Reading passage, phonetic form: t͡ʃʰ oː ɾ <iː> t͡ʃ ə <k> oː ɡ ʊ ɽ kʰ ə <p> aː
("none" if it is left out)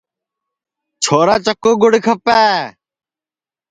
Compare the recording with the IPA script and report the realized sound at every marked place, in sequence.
aː, k, p

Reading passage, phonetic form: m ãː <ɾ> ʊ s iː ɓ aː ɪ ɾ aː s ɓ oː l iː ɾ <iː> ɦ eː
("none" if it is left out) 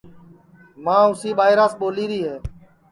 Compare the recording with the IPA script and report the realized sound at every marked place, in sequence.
none, iː

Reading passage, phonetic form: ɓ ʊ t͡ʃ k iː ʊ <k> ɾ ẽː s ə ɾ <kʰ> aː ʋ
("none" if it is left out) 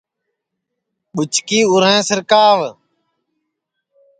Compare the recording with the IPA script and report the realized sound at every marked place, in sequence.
none, k

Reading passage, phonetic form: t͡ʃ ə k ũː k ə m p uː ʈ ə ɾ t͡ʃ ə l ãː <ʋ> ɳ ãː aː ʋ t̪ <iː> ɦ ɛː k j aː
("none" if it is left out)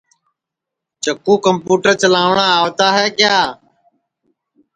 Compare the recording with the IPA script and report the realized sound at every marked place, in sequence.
ʋ, aː

